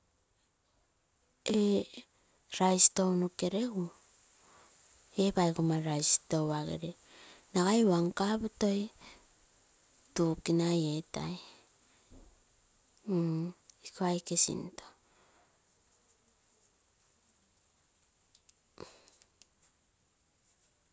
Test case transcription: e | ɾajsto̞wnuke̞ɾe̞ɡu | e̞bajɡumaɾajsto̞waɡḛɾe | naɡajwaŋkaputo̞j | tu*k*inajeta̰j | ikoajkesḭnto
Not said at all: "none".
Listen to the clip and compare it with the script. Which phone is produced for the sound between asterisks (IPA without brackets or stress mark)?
k